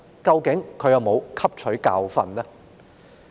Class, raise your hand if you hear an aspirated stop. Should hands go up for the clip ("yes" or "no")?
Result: yes